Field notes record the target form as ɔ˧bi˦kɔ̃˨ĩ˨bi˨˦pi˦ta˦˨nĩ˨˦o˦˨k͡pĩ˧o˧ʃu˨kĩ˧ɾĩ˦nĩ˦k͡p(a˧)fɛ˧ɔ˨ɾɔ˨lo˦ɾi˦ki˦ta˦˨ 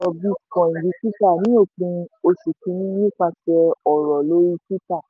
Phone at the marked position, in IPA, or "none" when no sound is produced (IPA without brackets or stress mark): a˧